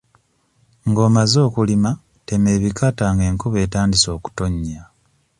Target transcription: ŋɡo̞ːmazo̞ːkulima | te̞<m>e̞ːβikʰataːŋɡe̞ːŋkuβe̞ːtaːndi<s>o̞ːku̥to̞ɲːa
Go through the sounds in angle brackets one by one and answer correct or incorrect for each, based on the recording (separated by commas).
correct, correct